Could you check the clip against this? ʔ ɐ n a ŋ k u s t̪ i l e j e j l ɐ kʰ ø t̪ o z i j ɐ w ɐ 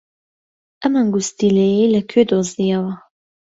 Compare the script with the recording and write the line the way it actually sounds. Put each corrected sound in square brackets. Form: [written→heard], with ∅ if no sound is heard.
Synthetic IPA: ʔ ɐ [n→m] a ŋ [k→ɡ] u s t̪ i l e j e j l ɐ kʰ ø [t̪→d̪] o z i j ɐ w ɐ